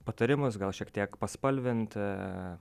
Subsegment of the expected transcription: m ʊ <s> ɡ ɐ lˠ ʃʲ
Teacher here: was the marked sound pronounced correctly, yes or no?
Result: yes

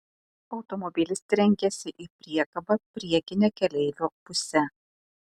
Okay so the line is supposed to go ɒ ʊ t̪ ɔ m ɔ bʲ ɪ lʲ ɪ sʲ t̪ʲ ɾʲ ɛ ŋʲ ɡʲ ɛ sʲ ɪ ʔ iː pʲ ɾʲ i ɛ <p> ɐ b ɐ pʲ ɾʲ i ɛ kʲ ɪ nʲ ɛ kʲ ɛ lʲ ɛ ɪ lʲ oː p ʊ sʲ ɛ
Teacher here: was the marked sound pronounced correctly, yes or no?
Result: no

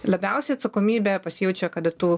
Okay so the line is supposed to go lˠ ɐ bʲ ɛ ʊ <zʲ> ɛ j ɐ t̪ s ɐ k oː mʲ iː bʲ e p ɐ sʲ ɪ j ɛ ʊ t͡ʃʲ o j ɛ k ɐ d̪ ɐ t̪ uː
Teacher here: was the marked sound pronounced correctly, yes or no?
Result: no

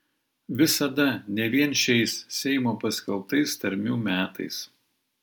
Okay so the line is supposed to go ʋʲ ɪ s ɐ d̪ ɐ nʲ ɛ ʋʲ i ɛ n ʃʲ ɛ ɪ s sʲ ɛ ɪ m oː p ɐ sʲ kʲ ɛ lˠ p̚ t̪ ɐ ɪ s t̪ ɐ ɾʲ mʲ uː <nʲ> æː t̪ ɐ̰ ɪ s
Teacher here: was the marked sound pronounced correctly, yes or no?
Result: no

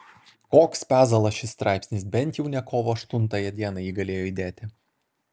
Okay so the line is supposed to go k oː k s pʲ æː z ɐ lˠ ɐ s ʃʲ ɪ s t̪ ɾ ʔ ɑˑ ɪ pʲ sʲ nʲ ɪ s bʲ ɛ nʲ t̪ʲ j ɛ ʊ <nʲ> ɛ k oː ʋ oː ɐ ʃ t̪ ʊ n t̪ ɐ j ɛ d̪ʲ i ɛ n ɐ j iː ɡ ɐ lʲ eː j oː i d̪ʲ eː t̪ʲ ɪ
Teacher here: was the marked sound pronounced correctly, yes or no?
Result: yes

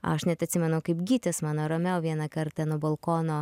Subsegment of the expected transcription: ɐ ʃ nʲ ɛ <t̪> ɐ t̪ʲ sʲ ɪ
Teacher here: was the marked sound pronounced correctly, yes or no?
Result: yes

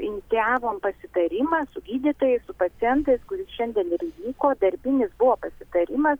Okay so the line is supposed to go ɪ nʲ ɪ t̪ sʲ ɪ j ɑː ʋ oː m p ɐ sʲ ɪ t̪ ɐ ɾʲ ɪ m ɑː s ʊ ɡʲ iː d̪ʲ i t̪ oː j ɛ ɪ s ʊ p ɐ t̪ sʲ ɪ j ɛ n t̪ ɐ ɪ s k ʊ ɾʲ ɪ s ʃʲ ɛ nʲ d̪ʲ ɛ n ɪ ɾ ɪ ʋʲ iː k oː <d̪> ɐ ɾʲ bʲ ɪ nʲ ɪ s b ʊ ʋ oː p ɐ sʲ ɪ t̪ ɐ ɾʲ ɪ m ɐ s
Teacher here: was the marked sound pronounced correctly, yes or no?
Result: yes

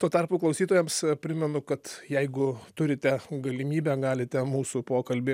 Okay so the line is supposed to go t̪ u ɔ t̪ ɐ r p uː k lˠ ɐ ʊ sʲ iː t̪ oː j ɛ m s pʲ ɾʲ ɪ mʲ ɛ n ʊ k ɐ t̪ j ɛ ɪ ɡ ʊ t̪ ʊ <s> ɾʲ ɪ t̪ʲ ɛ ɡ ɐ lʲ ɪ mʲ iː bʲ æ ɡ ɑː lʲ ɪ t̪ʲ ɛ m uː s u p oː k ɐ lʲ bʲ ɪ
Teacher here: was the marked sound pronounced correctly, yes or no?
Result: no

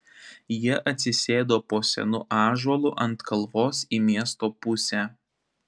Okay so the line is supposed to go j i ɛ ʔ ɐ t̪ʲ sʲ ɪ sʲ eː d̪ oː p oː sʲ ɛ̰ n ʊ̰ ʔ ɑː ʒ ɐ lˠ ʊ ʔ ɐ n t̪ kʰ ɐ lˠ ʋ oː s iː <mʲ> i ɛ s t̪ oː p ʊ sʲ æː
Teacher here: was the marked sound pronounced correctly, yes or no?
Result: yes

